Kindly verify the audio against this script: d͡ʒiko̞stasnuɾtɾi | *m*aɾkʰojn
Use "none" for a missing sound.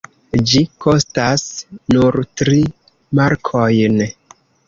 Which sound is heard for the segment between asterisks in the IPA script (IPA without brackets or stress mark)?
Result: m